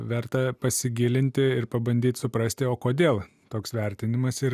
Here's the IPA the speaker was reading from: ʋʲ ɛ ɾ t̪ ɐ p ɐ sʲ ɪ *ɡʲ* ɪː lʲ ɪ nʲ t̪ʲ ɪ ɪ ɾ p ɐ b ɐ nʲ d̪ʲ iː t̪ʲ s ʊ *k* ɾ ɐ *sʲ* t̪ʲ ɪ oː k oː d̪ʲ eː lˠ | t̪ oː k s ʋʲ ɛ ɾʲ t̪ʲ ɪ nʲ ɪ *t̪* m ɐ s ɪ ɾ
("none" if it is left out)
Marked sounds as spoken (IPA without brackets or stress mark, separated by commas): ɡʲ, p, sʲ, none